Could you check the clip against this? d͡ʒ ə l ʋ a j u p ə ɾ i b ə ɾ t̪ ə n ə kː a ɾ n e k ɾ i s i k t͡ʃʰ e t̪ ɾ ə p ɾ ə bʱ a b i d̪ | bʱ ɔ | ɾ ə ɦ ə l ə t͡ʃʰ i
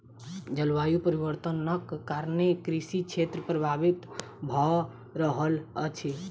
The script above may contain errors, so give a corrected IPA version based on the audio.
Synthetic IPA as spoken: d͡ʒ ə l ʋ a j u p ə ɾ i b ə ɾ t̪ ə n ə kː a ɾ n e k ɾ i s i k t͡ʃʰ e t̪ ɾ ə p ɾ ə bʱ a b i t̪ | bʱ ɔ | ɾ ə ɦ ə l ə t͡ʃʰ i